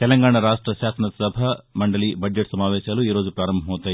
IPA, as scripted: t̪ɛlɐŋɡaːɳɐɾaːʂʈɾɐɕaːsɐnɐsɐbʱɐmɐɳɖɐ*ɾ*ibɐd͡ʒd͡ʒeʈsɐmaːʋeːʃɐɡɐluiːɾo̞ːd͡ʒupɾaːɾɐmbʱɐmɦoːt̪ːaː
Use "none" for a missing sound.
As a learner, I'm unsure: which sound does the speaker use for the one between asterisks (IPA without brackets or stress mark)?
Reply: l